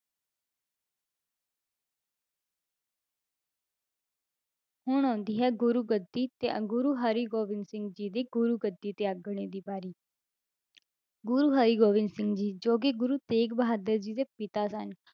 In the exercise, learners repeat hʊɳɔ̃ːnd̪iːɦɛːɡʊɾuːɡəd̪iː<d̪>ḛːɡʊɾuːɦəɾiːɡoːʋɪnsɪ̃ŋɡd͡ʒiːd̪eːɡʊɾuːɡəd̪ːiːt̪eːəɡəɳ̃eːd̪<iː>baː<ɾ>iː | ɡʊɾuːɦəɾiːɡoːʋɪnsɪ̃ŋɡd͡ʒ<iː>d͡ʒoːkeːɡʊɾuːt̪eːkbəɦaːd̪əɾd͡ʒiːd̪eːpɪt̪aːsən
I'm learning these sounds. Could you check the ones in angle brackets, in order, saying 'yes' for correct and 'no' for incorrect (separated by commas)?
no, yes, yes, yes